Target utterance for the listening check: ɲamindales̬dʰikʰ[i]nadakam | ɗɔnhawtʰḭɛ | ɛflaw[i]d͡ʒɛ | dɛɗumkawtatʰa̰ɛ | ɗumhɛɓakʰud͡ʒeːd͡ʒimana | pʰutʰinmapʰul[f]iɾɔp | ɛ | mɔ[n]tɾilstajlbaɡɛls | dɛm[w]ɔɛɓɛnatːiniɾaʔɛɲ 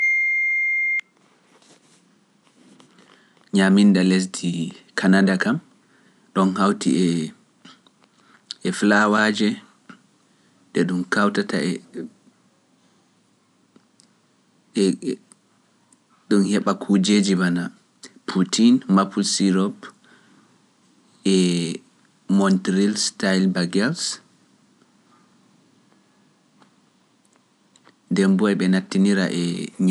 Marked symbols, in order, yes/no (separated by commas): no, no, no, yes, no